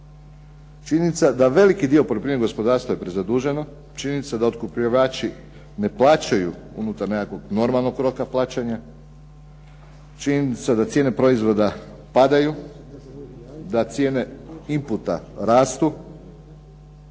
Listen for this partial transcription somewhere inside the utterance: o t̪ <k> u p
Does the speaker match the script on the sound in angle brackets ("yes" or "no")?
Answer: yes